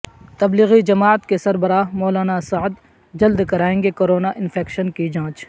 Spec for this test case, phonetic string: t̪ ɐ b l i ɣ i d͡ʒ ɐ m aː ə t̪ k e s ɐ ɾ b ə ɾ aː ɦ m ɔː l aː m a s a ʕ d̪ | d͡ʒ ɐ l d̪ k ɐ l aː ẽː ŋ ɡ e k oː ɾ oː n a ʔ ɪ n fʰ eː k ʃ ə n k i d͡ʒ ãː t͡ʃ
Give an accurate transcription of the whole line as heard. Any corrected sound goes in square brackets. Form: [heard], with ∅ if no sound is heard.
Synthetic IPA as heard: t̪ ɐ b l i ɣ i d͡ʒ ɐ m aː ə t̪ k e s ɐ ɾ b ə ɾ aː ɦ m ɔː l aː [n] a s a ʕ d̪ | d͡ʒ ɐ l d̪ k ɐ [ɾ] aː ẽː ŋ ɡ e k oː ɾ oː n a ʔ ɪ n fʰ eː k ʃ ə n k i d͡ʒ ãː t͡ʃ

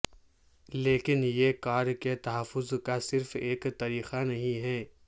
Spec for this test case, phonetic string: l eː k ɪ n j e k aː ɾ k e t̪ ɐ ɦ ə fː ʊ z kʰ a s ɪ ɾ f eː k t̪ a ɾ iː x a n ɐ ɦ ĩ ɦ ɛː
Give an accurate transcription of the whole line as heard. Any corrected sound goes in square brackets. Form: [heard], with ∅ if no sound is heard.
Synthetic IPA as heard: l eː k ɪ n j e k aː ɾ k e t̪ ɐ ɦ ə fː ʊ z [k] a s ɪ ɾ f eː k t̪ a ɾ iː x a n ɐ ɦ ĩ ɦ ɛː

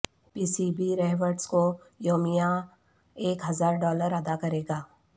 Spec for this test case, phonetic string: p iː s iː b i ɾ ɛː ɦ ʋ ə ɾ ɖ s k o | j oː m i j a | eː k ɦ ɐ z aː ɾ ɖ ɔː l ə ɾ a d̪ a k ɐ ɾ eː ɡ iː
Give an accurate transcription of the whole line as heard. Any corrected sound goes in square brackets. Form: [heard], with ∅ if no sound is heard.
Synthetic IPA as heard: p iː s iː b i ɾ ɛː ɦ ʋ ə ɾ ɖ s k o | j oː m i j a | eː k ɦ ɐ z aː ɾ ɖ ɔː l ə ɾ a d̪ a k ɐ ɾ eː ɡ [aː]

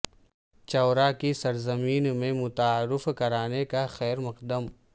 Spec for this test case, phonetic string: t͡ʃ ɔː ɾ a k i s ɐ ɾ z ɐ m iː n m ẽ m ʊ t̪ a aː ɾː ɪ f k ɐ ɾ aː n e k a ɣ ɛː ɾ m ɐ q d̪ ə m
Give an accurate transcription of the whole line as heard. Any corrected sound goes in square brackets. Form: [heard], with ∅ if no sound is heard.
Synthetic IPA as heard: t͡ʃ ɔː ɾ a k i s ɐ ɾ z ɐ m iː n m ẽ m ʊ t̪ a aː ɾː ɪ f k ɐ ɾ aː n e k a [x] ɛː ɾ m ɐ q d̪ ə m

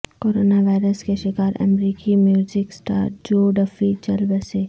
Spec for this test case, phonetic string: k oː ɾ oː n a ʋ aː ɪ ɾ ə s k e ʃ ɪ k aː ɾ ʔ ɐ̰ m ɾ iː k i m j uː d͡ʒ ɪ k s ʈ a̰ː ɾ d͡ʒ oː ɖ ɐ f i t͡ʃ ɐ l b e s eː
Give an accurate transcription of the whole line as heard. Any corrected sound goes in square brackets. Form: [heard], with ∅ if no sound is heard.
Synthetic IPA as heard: k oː ɾ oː n a ʋ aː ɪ ɾ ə s k e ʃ ɪ k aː ɾ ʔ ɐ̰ m ɾ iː k i m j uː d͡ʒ ɪ k s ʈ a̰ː ɾ d͡ʒ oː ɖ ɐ f i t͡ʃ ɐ l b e s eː

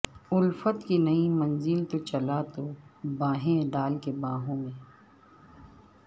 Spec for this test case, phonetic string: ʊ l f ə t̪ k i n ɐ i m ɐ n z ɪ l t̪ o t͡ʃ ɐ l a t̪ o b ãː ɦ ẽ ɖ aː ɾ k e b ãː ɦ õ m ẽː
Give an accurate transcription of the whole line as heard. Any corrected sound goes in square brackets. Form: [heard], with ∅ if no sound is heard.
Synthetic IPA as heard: ʊ l f ə t̪ k i n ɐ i m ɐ n z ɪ l t̪ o t͡ʃ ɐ l a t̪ o b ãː ɦ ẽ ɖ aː [l] k e b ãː ɦ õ m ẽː

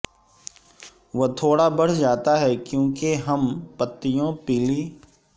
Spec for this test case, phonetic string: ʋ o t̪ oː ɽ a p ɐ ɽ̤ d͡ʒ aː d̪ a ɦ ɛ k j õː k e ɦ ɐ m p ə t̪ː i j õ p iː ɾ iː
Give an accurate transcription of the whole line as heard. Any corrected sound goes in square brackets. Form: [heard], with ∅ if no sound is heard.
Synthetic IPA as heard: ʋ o [t̪ʰ] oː ɽ a [b] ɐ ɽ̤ d͡ʒ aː [t̪] a ɦ ɛ k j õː k e ɦ ɐ m p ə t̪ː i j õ p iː [l] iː

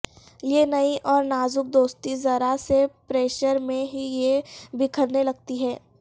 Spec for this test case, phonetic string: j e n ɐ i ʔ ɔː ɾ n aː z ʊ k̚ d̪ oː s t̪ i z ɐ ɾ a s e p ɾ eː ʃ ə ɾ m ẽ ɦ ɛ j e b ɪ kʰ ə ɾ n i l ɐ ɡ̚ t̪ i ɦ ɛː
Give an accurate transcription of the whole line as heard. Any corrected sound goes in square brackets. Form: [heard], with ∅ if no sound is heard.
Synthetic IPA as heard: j e n ɐ i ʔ ɔː ɾ n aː z ʊ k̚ d̪ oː s t̪ i z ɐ ɾ a s e p ɾ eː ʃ ə ɾ m ẽ ɦ [i] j e b ɪ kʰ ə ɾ n [e] l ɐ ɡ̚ t̪ i ɦ ɛː

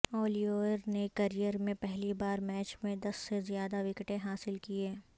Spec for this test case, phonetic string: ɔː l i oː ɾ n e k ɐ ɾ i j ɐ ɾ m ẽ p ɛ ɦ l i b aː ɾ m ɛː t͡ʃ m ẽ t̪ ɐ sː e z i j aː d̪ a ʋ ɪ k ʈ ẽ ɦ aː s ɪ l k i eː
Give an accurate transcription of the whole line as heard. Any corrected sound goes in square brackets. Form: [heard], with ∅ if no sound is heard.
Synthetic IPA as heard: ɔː l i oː ɾ n e k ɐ ɾ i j [ə] ɾ m ẽ p ɛ ɦ l i b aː ɾ m ɛː t͡ʃ m ẽ [d̪] ɐ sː e z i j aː d̪ a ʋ ɪ k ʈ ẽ ɦ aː s ɪ l k i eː

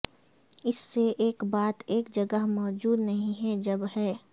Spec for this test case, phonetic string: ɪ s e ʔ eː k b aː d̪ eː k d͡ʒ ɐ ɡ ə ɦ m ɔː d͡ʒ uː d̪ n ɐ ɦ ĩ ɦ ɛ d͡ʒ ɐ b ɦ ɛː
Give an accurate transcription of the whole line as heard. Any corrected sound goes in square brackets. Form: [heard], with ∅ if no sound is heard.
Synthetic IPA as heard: ɪ [sː] e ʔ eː k b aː [t̪] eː k d͡ʒ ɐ ɡ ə ɦ m ɔː d͡ʒ uː d̪ n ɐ ɦ ĩ ɦ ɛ d͡ʒ ɐ b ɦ ɛː

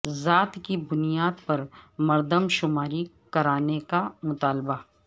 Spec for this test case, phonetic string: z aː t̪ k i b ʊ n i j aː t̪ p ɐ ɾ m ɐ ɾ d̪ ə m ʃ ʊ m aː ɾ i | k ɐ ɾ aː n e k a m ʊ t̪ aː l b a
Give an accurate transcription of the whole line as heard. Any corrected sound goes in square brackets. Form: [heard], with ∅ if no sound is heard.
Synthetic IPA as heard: z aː t̪ k i b ʊ n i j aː [d̪] p ɐ ɾ m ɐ ɾ d̪ ə m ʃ ʊ m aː ɾ i | k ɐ ɾ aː n e k a m ʊ t̪ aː l b a

